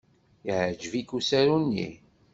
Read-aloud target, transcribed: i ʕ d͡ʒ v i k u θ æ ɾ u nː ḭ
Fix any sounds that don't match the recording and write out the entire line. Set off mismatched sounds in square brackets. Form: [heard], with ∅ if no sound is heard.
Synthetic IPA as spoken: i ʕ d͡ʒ v i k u [s] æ ɾ u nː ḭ